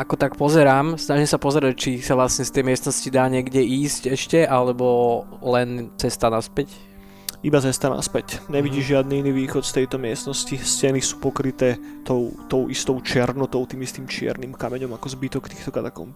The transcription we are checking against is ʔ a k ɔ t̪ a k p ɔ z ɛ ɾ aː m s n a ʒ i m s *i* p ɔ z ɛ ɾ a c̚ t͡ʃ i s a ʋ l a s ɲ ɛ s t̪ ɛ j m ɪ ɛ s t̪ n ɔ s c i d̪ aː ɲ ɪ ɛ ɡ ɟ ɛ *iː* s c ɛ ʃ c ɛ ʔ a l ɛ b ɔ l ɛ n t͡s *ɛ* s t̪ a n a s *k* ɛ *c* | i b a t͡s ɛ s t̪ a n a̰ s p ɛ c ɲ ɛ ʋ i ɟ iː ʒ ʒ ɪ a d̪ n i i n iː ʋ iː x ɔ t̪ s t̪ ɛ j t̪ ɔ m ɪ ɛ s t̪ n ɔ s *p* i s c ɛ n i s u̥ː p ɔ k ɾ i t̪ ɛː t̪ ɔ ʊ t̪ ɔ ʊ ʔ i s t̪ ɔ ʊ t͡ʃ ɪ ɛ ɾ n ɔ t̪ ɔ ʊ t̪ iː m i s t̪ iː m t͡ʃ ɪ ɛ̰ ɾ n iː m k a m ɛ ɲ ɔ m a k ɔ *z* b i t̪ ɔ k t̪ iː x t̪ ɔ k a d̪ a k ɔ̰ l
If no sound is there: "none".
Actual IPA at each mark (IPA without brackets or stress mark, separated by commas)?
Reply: a, iː, ɛ, p, c, c, z